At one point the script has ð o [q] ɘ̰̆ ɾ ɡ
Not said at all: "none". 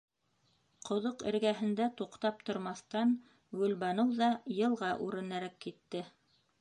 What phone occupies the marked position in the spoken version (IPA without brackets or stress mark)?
q